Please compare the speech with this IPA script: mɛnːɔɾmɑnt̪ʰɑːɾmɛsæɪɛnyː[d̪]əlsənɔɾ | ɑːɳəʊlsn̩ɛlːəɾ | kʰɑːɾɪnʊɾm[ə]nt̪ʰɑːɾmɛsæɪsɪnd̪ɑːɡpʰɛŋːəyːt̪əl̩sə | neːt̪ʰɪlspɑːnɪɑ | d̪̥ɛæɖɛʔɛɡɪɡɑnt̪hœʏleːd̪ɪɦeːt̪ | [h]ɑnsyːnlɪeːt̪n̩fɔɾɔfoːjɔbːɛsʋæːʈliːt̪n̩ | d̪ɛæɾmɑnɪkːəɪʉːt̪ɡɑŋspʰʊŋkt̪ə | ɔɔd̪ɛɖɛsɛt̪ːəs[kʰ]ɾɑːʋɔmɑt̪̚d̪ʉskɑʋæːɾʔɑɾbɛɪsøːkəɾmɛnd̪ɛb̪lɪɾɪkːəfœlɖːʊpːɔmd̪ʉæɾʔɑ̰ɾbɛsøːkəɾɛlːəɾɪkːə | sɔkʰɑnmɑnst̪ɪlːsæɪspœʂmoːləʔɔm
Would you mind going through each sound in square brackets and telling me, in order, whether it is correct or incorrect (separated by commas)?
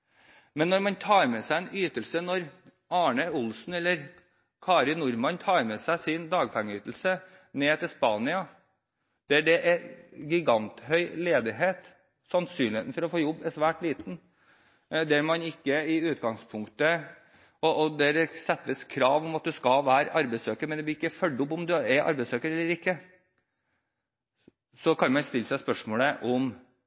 incorrect, incorrect, incorrect, correct